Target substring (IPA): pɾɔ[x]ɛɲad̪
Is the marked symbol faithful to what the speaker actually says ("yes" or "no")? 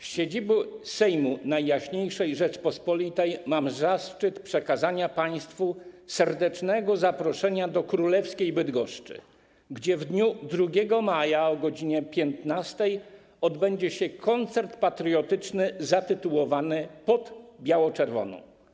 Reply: no